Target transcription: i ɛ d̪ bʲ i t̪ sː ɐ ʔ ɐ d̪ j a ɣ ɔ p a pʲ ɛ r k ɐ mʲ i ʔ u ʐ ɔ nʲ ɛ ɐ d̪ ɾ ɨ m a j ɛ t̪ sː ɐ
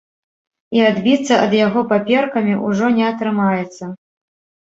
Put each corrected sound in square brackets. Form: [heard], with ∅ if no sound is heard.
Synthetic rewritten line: i [a] d̪ bʲ i t̪ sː ɐ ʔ ɐ d̪ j a ɣ ɔ p a pʲ ɛ r k ɐ mʲ i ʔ u ʐ ɔ nʲ ɛ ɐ [t̪] ɾ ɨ m a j ɛ t̪ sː ɐ